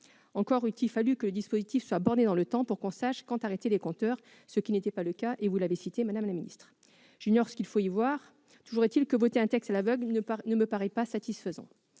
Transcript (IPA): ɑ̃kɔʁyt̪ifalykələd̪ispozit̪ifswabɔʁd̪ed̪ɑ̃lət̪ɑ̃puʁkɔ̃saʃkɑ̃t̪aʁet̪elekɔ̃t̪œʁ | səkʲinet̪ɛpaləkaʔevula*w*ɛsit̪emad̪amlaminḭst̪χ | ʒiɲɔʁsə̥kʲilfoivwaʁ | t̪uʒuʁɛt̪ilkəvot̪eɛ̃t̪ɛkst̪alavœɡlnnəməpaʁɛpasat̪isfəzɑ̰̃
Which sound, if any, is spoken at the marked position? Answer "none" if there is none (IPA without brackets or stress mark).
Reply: v